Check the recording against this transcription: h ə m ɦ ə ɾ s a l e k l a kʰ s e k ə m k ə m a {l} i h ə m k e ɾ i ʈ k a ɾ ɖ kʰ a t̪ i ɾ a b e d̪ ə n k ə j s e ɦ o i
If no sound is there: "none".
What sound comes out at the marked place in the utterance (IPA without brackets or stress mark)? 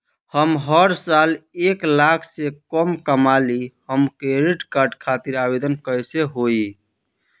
l